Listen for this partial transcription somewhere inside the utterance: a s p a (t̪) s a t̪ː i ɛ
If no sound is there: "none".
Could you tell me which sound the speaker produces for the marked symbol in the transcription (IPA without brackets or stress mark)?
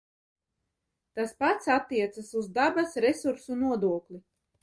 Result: t̪